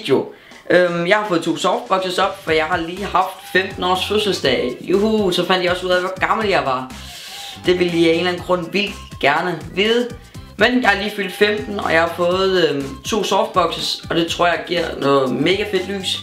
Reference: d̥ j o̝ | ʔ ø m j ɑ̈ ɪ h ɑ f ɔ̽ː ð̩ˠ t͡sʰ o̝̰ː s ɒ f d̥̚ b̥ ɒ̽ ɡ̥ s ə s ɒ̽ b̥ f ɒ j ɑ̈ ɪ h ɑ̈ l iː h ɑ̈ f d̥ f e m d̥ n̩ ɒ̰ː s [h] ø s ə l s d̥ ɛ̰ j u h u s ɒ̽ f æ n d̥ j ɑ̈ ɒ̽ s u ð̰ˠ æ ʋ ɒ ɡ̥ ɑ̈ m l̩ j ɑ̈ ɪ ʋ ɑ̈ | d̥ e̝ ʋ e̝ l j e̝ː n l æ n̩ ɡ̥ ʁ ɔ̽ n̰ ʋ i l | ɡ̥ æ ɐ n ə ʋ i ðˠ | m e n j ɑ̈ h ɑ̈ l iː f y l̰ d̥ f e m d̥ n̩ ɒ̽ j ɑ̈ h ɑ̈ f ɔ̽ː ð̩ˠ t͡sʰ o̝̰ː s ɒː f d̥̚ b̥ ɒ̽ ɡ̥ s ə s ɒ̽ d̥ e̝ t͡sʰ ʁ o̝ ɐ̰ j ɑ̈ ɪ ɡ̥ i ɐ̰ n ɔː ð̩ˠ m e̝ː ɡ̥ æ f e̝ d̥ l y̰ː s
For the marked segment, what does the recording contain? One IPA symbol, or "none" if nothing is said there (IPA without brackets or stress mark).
f